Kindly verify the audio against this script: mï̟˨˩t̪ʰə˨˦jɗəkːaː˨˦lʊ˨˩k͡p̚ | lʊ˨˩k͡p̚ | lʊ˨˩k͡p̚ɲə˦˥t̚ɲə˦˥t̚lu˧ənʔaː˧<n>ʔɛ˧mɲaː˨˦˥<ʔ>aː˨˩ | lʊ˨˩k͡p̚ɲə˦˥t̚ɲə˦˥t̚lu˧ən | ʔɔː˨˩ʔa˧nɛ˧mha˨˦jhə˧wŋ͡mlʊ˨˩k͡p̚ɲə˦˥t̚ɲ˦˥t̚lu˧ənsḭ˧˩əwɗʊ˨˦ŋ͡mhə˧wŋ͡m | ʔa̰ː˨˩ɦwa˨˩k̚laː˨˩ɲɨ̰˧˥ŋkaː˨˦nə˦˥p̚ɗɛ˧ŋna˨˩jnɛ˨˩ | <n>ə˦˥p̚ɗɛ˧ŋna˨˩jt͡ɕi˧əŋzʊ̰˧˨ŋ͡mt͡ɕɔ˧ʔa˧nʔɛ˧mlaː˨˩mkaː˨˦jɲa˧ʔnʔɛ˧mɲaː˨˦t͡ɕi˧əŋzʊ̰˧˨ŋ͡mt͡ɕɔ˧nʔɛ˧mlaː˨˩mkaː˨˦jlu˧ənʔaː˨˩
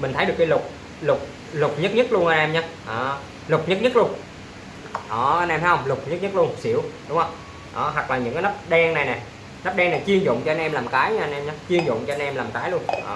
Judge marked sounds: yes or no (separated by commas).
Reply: yes, yes, yes